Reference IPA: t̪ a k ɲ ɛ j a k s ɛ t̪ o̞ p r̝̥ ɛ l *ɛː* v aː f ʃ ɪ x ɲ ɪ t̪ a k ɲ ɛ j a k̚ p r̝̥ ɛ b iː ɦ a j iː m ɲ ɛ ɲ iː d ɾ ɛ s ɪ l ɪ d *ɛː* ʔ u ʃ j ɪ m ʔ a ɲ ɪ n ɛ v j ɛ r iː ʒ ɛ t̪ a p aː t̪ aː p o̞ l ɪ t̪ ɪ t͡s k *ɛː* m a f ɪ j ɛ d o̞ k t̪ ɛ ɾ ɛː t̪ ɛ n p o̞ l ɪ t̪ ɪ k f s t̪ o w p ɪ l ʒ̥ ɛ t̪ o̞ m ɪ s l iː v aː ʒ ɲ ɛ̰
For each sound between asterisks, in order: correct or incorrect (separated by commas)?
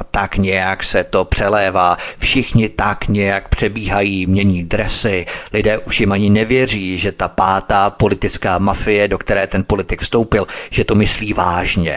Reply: correct, correct, incorrect